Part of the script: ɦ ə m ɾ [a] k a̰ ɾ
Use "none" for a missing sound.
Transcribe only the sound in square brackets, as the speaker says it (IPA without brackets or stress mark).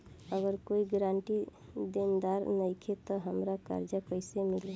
a